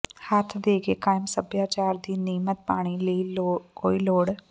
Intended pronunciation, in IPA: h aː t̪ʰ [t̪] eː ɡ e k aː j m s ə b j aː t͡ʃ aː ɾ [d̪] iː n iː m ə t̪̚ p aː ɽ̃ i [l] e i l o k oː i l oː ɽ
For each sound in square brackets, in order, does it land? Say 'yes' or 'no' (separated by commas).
no, yes, yes